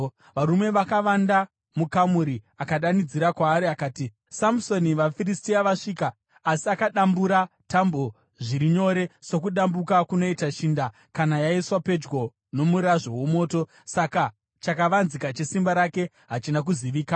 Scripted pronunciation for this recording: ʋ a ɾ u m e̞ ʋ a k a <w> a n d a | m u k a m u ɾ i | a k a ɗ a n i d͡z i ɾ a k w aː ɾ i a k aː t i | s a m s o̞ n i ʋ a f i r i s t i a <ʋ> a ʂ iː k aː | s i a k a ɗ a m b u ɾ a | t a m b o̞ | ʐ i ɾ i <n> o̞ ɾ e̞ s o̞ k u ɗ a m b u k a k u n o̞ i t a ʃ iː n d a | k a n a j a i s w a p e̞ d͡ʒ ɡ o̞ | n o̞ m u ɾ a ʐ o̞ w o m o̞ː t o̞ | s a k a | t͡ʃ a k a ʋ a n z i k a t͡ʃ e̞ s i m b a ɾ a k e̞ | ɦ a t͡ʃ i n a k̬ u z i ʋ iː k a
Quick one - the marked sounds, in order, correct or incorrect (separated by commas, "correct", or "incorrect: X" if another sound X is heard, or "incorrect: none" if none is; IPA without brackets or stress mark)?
incorrect: ʋ, correct, incorrect: ɲ